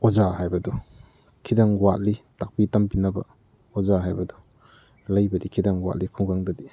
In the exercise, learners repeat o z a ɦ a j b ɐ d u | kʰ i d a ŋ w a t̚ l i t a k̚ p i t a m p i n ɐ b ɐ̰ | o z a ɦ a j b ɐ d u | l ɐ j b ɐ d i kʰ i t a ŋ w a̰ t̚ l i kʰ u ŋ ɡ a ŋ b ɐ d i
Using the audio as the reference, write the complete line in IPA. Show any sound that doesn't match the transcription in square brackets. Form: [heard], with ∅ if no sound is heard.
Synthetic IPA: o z a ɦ a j b ɐ d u | kʰ i d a ŋ w a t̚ l i t a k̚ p i t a m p i n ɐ b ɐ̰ | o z a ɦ a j b ɐ d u | l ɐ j b ɐ d i kʰ i [d] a ŋ w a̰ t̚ l i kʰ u ŋ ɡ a ŋ [d] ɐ d i